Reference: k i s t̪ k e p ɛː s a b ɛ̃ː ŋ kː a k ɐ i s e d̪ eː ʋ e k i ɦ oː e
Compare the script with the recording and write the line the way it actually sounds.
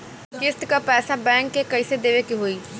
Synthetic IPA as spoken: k ɪ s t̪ k a p ɛː s a b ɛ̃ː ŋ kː e k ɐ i s e d̪ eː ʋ e k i ɦ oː i